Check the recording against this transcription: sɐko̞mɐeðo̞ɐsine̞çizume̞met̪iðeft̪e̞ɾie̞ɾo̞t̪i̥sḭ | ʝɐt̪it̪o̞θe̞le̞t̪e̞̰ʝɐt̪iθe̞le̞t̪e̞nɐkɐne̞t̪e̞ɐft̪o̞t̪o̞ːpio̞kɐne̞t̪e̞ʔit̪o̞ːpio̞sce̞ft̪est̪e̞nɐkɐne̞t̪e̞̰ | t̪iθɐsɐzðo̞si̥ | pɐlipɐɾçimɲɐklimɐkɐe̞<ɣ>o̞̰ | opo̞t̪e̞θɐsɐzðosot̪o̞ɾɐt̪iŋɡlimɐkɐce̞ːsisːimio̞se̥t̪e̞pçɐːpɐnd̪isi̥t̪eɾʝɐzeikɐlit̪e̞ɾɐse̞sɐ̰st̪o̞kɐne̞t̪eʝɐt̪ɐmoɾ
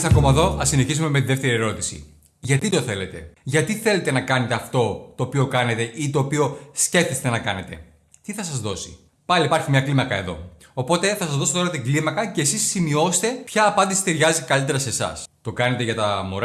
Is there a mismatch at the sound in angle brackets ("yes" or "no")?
yes